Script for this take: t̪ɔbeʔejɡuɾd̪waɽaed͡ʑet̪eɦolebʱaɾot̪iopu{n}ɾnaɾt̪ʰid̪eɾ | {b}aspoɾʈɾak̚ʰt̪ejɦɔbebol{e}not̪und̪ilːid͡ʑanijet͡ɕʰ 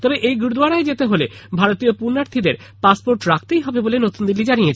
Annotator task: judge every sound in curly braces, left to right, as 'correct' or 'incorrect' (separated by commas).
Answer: incorrect, incorrect, correct